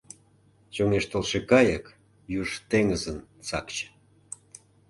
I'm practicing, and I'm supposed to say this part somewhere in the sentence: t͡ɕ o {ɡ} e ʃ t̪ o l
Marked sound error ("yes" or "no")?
yes